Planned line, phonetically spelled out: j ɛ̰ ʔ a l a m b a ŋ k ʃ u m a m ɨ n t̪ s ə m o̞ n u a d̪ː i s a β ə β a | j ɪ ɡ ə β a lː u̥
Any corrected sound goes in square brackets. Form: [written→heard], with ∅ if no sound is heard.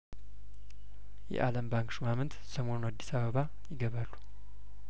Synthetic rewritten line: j ɛ̰ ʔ a l [a→ə] m b a ŋ k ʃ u m a m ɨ n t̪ s ə m o̞ n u a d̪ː i s a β ə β a | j ɪ ɡ ə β a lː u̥